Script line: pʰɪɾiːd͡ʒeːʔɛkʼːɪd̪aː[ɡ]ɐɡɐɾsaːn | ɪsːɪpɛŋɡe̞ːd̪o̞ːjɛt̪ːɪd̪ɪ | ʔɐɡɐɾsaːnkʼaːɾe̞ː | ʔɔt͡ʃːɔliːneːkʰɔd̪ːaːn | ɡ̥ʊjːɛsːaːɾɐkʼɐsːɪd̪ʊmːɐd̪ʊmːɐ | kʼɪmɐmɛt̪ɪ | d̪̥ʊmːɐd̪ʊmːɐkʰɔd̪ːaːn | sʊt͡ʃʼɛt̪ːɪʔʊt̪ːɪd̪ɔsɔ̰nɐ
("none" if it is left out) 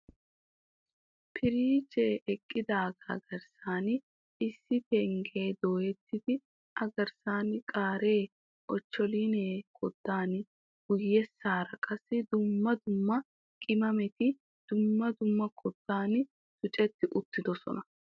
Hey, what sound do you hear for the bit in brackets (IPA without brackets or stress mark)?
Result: ɡ